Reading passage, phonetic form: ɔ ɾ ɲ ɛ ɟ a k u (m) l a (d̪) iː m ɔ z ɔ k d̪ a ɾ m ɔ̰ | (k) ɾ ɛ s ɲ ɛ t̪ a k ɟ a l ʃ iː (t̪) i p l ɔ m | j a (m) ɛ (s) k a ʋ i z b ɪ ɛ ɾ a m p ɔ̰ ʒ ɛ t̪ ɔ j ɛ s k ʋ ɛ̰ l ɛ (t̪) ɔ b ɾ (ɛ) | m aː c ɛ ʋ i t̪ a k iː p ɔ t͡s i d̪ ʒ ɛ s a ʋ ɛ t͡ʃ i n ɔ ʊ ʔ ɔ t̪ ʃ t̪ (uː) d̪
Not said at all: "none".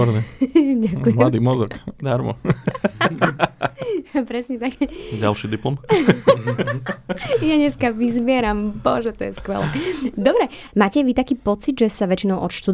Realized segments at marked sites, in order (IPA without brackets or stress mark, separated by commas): m, d̪, p, d̪, ɲ, s, d̪, ɛ, u